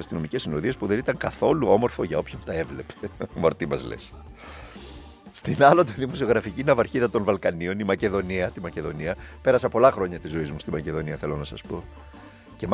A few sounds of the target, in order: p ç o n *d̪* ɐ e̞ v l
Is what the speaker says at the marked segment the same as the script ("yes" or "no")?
no